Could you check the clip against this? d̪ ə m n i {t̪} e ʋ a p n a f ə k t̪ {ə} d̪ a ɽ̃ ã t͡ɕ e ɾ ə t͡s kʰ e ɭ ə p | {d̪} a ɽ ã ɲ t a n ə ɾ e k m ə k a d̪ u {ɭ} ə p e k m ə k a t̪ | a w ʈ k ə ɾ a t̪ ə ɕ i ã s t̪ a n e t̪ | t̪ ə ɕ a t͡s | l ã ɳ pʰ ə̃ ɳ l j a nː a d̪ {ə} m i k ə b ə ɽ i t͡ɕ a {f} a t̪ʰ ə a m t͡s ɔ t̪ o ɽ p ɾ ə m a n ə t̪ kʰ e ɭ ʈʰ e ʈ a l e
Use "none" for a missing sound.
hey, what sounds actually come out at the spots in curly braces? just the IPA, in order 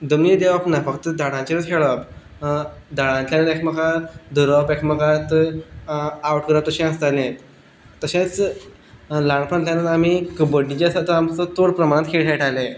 d̪, ə, d̪, ɾ, a, s

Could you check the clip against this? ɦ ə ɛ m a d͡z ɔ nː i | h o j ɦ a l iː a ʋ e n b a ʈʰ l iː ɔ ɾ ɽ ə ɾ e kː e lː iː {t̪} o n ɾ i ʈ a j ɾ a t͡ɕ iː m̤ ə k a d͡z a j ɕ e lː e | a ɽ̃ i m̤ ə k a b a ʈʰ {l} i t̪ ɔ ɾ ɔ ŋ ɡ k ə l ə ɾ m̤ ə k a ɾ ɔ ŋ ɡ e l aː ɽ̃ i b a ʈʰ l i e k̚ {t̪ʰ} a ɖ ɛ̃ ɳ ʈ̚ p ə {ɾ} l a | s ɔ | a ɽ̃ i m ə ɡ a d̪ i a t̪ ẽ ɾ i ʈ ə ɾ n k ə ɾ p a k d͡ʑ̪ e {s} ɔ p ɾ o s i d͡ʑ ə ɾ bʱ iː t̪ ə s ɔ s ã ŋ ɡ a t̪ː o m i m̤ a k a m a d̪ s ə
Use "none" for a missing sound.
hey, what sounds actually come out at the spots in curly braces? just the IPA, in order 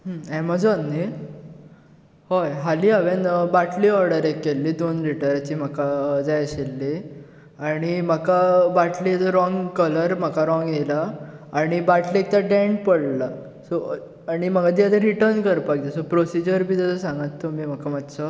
d̪, l, t̪, ɽ, s

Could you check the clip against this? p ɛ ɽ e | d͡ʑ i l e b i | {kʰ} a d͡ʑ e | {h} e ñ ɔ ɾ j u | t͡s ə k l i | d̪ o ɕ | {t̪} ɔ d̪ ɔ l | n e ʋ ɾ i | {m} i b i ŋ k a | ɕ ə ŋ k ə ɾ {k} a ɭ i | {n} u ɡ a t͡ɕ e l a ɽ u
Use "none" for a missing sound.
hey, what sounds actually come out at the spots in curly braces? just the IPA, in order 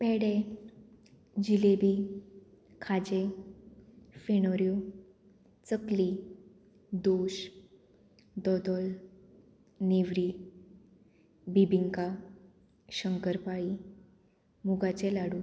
kʰ, f, d̪, b, p, m

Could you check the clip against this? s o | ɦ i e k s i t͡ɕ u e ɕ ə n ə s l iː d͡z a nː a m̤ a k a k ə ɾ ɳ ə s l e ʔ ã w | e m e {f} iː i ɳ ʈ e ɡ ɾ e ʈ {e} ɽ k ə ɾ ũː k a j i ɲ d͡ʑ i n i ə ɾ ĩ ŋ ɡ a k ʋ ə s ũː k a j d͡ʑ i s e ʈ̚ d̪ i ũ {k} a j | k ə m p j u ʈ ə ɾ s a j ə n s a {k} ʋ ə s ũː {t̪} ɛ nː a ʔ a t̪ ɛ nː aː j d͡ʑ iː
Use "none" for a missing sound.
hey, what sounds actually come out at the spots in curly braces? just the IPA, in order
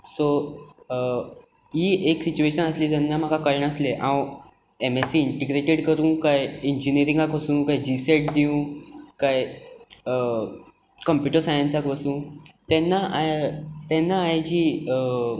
s, e, k, k, t̪

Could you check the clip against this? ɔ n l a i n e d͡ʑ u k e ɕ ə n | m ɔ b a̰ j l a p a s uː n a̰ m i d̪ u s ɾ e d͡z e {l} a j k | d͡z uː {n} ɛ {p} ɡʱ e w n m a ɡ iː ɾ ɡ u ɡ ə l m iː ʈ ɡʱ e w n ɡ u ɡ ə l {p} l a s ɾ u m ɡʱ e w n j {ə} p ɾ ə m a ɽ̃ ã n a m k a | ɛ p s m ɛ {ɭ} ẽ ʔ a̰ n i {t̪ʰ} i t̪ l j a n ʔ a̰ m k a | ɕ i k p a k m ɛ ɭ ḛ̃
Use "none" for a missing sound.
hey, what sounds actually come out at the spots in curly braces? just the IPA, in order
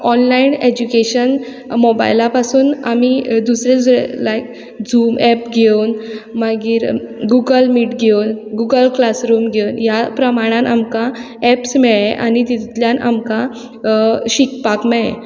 l, m, p, k, a, ɭ, t̪

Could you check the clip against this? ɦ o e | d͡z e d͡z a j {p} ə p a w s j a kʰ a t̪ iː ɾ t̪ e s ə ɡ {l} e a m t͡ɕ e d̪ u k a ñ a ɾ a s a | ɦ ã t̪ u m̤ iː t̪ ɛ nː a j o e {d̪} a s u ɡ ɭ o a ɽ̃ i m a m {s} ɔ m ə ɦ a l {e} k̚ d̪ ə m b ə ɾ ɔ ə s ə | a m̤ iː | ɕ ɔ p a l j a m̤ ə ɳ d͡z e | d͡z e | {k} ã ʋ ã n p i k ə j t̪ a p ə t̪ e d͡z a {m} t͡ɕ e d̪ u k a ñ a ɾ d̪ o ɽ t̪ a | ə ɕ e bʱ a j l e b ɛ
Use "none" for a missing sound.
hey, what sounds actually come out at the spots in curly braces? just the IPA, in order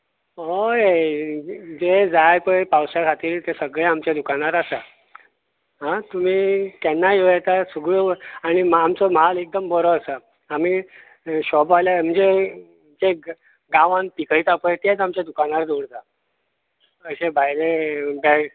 p, ɭ, t̪, t͡s, e, ɡ, m

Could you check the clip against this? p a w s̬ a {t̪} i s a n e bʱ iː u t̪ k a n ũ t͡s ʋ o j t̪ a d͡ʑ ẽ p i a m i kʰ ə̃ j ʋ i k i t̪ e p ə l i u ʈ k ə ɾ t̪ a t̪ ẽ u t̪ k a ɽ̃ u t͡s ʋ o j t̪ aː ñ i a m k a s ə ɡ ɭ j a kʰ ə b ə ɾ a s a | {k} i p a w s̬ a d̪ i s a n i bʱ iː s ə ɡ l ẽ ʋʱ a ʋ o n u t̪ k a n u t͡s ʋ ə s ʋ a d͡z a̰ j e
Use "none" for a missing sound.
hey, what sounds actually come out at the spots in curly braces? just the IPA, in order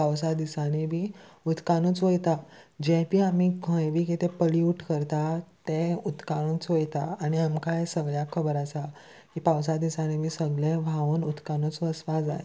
d̪, k

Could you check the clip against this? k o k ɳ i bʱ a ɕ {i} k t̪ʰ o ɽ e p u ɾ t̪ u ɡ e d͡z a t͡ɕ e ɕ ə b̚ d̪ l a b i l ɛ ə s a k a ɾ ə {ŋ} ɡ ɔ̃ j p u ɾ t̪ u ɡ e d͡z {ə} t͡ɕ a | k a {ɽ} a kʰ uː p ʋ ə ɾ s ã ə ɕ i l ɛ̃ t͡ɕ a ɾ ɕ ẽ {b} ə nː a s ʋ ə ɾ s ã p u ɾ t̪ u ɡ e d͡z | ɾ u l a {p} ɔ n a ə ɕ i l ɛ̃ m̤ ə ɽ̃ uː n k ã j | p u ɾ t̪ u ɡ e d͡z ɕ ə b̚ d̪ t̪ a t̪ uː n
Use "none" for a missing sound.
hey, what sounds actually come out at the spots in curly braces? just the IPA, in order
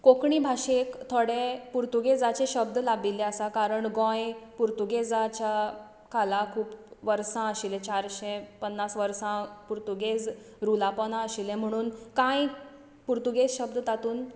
e, ɳ, a, l, p, p

